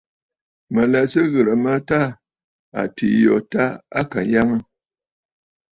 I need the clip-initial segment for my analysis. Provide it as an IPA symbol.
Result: m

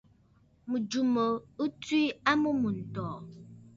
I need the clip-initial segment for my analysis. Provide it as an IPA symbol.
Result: m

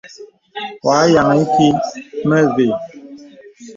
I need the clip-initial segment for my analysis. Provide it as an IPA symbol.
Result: w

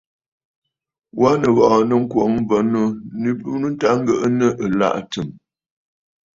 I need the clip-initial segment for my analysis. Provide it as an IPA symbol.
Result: w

